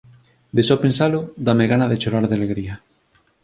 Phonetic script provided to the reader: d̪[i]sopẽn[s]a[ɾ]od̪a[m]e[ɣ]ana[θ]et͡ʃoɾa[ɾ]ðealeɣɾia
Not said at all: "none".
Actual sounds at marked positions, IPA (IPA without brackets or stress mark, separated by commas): e, s, l, m, ɣ, ð, ɾ